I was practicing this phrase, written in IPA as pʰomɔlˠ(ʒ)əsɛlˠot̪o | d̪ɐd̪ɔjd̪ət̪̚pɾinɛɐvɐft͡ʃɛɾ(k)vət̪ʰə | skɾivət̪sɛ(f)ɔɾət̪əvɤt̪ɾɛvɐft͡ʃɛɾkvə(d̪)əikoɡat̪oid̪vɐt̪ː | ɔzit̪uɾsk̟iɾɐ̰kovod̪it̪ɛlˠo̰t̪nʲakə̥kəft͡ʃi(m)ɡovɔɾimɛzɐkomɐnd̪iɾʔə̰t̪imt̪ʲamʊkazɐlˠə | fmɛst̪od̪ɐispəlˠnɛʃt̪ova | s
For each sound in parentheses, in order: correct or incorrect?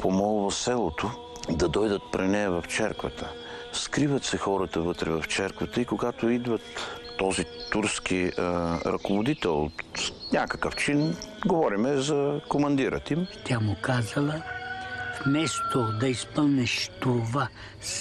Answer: incorrect, correct, incorrect, incorrect, incorrect

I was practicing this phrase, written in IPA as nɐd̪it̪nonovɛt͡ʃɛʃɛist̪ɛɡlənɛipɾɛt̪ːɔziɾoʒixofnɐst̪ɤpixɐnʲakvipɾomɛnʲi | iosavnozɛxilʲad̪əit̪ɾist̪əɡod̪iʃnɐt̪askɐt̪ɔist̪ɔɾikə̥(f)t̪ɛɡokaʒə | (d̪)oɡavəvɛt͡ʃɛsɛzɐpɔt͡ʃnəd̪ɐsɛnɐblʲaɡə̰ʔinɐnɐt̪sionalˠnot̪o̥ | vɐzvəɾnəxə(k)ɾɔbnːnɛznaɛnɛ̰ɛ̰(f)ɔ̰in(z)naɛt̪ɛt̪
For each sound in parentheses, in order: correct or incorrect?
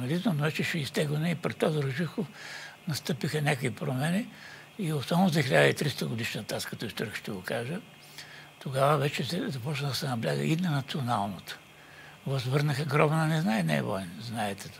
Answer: incorrect, incorrect, incorrect, incorrect, correct

